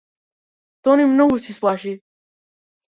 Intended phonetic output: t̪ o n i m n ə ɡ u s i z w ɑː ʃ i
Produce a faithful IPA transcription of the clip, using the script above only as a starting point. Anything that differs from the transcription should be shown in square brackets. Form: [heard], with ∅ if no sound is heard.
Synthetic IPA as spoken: t̪ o n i m n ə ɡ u s i [s] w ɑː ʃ i